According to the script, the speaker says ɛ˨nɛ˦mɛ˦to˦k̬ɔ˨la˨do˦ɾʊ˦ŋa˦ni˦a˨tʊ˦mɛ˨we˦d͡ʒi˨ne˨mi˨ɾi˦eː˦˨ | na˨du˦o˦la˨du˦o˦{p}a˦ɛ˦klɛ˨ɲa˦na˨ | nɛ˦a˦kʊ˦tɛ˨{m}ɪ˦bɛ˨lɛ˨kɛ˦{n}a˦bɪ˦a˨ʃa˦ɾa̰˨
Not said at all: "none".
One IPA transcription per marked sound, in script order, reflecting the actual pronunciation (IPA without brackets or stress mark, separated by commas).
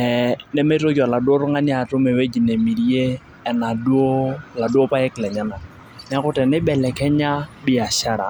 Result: p, n, ɲ